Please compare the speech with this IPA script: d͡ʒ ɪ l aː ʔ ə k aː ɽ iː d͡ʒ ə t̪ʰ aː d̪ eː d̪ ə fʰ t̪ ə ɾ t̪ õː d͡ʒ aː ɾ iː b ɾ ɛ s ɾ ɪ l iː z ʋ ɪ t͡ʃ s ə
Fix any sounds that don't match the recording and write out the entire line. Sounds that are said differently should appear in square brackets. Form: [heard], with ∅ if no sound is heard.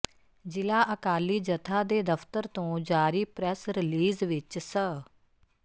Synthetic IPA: d͡ʒ ɪ l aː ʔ ə k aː [l] iː d͡ʒ ə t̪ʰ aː d̪ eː d̪ ə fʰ t̪ ə ɾ t̪ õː d͡ʒ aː ɾ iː [p] ɾ ɛ s ɾ ɪ l iː z ʋ ɪ t͡ʃ s ə

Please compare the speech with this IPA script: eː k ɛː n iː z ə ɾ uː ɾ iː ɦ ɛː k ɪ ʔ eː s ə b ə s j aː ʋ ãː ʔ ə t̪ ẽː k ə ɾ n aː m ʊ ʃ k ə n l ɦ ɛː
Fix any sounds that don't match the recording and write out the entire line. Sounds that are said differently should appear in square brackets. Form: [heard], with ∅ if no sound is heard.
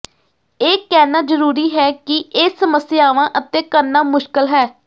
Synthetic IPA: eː k ɛː n [aː] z ə ɾ uː ɾ iː ɦ ɛː k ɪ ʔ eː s ə [m] ə s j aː ʋ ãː ʔ ə t̪ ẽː k ə ɾ n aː m ʊ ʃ k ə [∅] l ɦ ɛː

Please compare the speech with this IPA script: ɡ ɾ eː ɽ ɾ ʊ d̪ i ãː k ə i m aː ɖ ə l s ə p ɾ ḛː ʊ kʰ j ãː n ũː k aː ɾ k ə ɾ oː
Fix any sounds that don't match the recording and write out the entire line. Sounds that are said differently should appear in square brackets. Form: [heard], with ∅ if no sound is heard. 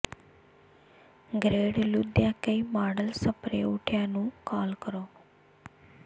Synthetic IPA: ɡ ɾ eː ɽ [l] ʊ d̪ [j] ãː k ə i m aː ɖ ə l s ə p ɾ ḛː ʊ [ʈʰ] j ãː n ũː k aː [l] k ə ɾ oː

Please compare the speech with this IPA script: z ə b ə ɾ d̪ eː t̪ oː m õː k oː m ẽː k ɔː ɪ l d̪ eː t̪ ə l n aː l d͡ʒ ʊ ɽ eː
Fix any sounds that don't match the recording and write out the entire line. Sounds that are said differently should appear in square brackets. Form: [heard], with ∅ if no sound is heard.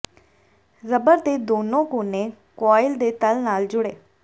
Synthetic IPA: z ə b ə ɾ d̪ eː [d̪] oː [n] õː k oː [n] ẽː k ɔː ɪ l d̪ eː t̪ ə l n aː l d͡ʒ ʊ ɽ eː

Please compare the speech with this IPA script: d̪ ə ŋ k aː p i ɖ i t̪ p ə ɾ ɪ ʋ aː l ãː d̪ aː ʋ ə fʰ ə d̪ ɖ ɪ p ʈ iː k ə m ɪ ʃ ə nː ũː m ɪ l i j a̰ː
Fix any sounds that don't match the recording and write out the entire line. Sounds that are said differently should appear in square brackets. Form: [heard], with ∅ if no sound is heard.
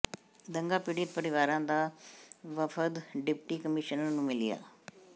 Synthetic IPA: d̪ ə ŋ [ɡ] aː p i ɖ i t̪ p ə ɾ ɪ ʋ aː [ɾ] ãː d̪ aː ʋ ə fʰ ə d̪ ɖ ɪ p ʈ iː k ə m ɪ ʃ ə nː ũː m ɪ l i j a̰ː

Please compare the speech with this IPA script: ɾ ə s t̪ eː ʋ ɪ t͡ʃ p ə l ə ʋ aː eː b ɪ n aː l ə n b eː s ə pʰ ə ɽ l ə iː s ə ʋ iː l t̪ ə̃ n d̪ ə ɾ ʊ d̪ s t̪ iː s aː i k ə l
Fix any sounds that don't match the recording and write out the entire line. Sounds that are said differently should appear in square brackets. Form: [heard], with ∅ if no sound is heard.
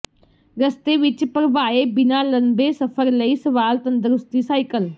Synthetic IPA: ɾ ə s t̪ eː ʋ ɪ t͡ʃ p ə [ɾ] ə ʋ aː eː b ɪ n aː l ə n b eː s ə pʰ ə [ɾ] l ə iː s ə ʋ [aː] l t̪ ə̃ n d̪ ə ɾ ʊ [∅] s t̪ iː s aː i k ə l

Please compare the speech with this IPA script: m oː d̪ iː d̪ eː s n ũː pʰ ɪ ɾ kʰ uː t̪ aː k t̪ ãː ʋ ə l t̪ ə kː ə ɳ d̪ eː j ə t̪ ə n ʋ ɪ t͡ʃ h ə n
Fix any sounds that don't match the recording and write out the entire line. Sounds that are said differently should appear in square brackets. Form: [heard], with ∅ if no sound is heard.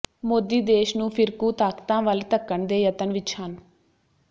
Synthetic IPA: m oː d̪ iː d̪ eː [ʃ] n ũː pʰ ɪ ɾ [k] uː t̪ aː k t̪ ãː ʋ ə l t̪ ə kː ə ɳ d̪ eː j ə t̪ ə n ʋ ɪ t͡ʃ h ə n

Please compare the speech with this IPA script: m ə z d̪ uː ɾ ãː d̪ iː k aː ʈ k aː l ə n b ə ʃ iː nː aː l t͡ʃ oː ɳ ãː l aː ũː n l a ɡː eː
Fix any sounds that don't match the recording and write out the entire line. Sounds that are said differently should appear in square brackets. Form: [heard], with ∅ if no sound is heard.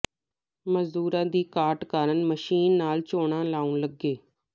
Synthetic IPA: m ə z d̪ uː ɾ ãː d̪ iː k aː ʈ k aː [ɾ] ə n [m] ə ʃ iː nː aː l t͡ʃ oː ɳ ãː l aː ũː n l [ə] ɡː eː

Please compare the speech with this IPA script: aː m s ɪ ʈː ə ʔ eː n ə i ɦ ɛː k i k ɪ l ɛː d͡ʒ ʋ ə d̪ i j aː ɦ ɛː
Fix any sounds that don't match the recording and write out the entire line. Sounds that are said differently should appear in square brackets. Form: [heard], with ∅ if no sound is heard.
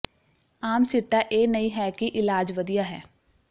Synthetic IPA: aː m s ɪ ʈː [a] ʔ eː n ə i ɦ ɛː k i [ʔ] ɪ l [aː] d͡ʒ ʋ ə d̪ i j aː ɦ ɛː

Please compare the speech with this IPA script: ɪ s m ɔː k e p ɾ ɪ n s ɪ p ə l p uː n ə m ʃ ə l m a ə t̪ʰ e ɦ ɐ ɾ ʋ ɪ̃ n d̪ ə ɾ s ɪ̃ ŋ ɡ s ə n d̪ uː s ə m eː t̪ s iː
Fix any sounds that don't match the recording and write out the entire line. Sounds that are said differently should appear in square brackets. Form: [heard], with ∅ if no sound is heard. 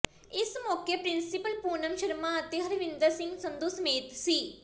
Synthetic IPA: ɪ s m ɔː k e p ɾ ɪ n s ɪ p ə l p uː n ə m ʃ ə [ɾ] m a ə [t̪] e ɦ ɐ ɾ ʋ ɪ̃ n d̪ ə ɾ s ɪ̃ ŋ ɡ s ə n d̪ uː s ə m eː t̪ s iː

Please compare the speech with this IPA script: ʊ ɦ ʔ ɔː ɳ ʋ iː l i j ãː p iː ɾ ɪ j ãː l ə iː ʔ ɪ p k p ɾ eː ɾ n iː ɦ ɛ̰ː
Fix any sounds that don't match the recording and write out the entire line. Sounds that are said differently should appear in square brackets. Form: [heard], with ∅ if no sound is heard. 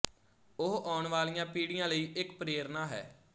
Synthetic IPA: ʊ ɦ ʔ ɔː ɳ ʋ [aː] l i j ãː p iː [ɽ] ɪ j ãː l ə iː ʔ ɪ [∅] k p ɾ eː ɾ n [aː] ɦ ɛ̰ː

